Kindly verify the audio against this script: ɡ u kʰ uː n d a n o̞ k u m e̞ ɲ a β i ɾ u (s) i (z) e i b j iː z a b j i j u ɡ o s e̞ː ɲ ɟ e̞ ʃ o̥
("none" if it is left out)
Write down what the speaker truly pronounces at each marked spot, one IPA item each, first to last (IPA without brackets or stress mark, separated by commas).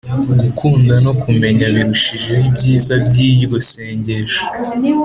ʃ, ʒ